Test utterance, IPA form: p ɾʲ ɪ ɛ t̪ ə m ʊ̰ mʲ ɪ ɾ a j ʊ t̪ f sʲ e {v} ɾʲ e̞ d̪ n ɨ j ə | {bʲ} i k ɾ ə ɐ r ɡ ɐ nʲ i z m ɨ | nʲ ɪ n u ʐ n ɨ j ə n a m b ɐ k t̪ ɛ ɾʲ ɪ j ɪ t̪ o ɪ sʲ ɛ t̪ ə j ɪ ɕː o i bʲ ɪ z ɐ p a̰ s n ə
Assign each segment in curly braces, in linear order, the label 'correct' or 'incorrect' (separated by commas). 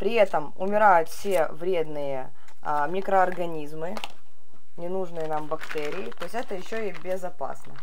correct, incorrect